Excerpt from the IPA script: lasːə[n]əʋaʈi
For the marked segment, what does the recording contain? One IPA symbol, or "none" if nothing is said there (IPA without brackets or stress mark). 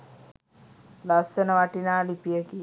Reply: n